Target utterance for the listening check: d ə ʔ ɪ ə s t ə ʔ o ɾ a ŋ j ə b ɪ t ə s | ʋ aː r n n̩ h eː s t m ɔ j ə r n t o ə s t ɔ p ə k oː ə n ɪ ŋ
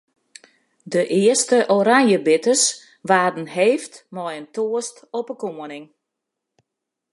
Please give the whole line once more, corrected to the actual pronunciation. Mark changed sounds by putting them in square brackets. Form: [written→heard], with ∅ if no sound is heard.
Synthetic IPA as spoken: d ə ʔ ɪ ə s t ə ʔ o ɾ a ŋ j ə b ɪ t ə s | ʋ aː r [n→d] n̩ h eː [s→f] t m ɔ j ə [r→∅] n t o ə s t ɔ p ə k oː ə n ɪ ŋ